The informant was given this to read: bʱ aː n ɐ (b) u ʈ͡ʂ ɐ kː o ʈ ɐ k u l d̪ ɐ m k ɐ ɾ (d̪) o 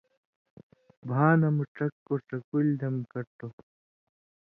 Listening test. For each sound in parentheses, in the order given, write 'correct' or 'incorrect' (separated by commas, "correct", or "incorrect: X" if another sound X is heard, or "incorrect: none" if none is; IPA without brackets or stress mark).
incorrect: m, incorrect: t̪